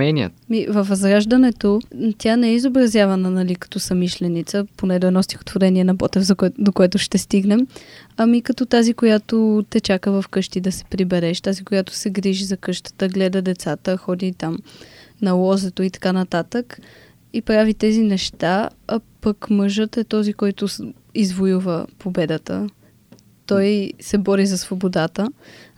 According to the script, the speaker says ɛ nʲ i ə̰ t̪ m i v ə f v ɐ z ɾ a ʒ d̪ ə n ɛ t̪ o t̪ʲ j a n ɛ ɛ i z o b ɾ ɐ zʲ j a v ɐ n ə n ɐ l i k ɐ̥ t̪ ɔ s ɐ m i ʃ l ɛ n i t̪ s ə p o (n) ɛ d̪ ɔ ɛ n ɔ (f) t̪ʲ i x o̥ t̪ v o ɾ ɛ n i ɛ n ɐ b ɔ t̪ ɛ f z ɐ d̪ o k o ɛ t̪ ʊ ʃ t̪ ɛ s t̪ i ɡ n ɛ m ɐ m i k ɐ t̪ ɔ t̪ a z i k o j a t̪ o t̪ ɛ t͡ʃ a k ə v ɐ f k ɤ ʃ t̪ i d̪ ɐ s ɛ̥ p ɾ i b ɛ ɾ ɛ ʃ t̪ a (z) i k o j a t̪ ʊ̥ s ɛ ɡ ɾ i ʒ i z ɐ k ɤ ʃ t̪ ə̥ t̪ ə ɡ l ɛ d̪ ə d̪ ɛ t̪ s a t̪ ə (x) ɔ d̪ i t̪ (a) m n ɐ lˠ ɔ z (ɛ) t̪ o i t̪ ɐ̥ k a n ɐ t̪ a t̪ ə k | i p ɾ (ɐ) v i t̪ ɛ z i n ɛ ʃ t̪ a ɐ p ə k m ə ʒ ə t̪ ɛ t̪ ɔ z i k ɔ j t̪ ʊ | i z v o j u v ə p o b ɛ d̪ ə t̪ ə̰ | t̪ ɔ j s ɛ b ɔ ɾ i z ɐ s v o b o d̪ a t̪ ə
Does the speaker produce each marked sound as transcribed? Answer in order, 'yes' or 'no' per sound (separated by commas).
yes, no, yes, yes, yes, yes, no